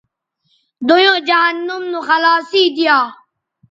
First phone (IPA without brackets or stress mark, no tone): d̪